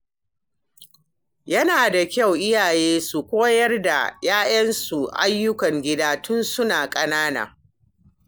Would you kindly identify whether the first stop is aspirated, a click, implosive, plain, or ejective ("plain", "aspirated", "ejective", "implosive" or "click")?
plain